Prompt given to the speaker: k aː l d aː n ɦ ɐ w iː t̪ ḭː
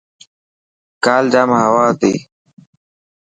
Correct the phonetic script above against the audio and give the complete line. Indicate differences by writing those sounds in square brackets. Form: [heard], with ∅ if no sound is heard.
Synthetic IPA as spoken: k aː l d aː [m] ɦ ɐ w [aː] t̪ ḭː